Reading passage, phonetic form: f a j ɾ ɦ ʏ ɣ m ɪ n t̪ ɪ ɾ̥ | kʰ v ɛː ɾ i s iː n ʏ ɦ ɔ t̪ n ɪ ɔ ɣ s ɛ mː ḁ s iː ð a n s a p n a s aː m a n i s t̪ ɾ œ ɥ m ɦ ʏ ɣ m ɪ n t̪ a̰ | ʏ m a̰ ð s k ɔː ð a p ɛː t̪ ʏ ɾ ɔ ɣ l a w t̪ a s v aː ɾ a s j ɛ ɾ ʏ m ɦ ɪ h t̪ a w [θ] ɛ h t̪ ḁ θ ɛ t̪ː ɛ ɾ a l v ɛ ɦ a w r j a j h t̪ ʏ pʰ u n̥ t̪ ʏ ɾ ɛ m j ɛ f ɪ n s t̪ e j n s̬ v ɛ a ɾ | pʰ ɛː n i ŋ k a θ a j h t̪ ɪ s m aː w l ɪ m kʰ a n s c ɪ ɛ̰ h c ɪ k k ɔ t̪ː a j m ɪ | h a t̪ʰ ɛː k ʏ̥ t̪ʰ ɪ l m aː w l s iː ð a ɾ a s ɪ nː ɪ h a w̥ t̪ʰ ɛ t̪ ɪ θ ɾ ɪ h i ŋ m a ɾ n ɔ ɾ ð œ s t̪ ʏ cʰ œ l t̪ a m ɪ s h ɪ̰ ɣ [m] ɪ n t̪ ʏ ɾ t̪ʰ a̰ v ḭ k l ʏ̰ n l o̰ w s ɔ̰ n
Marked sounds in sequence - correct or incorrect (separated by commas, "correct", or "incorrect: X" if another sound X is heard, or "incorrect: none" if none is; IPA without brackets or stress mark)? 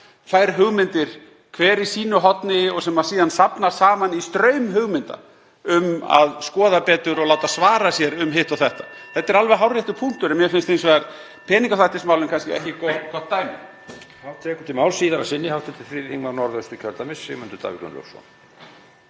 correct, correct